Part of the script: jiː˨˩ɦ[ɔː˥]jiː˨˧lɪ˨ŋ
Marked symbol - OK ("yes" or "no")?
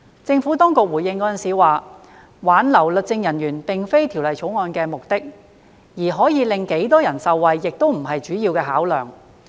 no